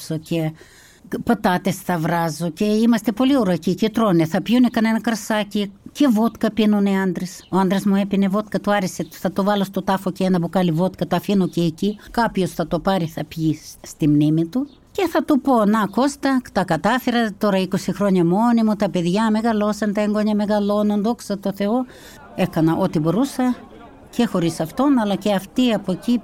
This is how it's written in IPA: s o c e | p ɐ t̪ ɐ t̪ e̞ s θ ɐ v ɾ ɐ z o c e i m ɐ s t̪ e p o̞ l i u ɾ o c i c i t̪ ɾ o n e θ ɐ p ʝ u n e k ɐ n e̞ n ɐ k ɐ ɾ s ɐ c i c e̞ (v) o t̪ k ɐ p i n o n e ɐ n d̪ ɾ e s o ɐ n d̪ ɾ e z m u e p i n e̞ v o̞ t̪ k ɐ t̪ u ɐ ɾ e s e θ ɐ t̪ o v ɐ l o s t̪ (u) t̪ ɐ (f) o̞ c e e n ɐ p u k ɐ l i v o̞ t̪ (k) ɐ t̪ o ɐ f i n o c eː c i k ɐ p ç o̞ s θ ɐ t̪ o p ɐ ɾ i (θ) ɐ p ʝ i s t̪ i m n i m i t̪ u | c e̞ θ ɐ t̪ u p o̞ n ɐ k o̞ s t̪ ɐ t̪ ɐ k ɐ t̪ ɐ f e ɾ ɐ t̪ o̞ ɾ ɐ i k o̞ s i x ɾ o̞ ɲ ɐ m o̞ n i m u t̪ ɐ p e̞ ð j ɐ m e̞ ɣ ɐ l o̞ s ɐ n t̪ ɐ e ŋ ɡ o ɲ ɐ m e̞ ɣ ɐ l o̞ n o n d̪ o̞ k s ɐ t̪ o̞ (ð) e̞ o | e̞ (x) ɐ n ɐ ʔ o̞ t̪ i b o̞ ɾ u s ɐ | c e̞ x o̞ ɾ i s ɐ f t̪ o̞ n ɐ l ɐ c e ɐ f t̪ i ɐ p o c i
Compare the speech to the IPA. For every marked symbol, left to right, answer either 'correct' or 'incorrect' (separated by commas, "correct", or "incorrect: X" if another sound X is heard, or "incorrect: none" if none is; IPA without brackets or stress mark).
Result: correct, incorrect: o, correct, correct, correct, incorrect: θ, incorrect: k